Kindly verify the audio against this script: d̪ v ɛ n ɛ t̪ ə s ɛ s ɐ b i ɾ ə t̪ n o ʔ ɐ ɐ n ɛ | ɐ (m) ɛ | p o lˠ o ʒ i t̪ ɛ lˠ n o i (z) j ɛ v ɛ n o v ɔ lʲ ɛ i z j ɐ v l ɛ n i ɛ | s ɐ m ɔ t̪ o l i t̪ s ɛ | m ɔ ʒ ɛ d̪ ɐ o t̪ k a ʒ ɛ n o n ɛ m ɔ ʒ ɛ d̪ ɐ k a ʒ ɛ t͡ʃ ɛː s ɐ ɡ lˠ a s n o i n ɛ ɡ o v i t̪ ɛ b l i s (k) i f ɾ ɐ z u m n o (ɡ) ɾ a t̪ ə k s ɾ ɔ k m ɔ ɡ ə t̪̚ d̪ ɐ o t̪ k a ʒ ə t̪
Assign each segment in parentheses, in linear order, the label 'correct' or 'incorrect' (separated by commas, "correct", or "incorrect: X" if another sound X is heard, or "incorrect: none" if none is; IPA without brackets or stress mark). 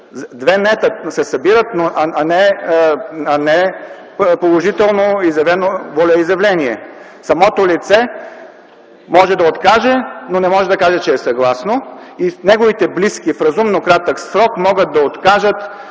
incorrect: n, correct, correct, incorrect: k